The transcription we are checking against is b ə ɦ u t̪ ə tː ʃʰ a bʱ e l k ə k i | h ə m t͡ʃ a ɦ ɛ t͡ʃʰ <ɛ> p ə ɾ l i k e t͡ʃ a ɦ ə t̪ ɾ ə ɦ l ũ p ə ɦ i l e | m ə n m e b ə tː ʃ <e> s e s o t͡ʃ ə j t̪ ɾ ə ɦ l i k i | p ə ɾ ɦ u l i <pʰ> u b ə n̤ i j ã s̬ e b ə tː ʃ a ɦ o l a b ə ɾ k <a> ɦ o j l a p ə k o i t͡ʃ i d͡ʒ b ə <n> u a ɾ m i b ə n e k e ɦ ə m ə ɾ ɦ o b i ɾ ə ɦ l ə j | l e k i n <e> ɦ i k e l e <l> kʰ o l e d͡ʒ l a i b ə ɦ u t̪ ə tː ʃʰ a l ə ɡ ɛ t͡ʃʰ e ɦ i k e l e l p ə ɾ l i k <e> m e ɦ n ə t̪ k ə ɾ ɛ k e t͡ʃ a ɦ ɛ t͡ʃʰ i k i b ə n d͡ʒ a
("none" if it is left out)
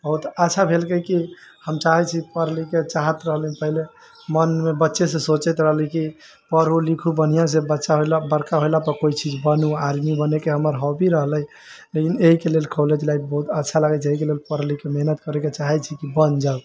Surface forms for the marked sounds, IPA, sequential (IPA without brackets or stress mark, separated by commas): i, e, kʰ, a, n, e, l, e